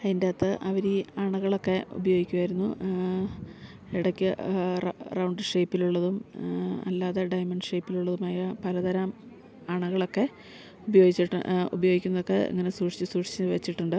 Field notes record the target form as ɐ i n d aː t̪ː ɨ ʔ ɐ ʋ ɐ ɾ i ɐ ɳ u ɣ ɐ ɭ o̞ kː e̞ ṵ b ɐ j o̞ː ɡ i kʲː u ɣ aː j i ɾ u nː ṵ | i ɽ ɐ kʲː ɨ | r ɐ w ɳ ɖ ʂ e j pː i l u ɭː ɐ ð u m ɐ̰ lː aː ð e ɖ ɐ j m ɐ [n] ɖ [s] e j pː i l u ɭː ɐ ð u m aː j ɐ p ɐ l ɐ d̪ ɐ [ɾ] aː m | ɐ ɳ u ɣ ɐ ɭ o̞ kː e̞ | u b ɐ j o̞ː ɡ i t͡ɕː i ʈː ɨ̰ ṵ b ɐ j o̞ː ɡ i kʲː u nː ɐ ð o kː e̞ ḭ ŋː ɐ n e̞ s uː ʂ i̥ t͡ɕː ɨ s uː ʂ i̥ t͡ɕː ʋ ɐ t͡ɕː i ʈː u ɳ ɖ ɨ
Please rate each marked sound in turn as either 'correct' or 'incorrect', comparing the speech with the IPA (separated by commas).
incorrect, incorrect, correct